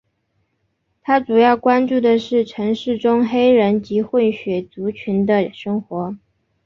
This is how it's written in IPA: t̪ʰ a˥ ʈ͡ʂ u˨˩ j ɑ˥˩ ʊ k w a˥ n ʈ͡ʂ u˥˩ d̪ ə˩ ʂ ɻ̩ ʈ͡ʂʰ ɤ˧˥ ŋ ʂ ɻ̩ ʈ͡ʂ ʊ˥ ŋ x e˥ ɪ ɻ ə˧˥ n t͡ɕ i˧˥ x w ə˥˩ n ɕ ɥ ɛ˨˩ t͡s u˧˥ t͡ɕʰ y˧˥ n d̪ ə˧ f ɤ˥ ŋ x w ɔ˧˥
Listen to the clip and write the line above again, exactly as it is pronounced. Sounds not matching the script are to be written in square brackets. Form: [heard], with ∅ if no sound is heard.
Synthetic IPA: t̪ʰ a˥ ʈ͡ʂ u˨˩ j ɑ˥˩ ʊ k w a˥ n ʈ͡ʂ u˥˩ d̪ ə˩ ʂ ɻ̩ ʈ͡ʂʰ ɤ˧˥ ŋ ʂ ɻ̩ ʈ͡ʂ ʊ˥ ŋ x e˥ ɪ ɻ ə˧˥ n t͡ɕ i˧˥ x w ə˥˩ n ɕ ɥ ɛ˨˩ t͡s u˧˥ t͡ɕʰ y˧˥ n d̪ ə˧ [ʂ] ɤ˥ ŋ x w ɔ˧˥